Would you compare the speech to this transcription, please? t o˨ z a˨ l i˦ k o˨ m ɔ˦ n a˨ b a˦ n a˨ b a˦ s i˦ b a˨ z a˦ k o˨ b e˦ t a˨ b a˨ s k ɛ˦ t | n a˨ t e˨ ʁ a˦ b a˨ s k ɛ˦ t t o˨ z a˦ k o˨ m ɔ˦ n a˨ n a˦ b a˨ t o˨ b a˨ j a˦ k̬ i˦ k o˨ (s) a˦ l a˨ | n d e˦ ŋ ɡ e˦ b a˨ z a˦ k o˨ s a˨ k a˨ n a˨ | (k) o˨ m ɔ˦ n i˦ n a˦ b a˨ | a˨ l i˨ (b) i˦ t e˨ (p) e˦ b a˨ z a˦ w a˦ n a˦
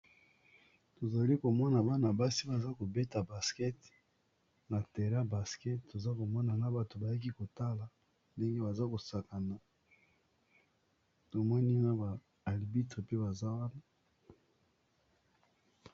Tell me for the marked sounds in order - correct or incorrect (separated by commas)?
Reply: incorrect, incorrect, correct, correct